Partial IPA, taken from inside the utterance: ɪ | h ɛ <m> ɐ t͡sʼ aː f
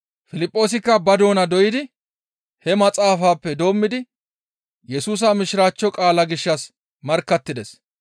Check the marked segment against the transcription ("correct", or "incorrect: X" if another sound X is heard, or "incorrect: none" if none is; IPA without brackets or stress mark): correct